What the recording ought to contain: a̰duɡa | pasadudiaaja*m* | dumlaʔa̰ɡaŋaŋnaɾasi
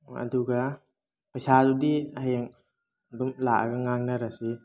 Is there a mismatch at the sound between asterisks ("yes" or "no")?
yes